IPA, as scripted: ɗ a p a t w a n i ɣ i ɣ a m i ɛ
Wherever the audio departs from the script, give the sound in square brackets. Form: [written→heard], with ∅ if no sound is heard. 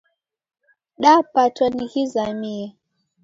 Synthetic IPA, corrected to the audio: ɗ a p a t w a n i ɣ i [ɣ→z] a m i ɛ